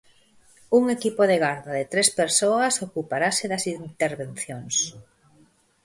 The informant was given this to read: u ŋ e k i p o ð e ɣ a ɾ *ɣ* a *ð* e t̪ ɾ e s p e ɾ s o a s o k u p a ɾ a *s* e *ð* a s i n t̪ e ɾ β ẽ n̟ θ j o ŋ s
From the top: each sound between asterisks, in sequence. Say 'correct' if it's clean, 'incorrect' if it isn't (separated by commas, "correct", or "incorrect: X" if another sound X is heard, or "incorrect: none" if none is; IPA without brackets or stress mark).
incorrect: ð, correct, correct, correct